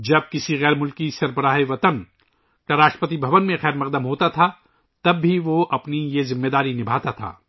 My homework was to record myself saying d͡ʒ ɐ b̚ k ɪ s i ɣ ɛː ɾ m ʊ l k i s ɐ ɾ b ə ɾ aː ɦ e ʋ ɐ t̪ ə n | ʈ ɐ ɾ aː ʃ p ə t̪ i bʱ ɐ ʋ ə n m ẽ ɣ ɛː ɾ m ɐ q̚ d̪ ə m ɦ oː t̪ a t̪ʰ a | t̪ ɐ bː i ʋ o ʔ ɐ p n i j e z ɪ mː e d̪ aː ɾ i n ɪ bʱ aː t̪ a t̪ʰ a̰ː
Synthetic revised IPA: d͡ʒ ɐ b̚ k ɪ s i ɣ ɛː ɾ m ʊ l k i s ɐ ɾ b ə ɾ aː ɦ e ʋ ɐ t̪ ə n | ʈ ɐ ɾ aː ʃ p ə t̪ i bʱ ɐ ʋ ə n m ẽ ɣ ɛː ɾ m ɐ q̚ d̪ ə m ɦ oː t̪ a t̪ʰ a | t̪ ɐ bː i ʋ o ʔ ɐ p n i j e z ɪ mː e d̪ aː ɾ i n ɪ bʱ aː t̪ a t̪ʰ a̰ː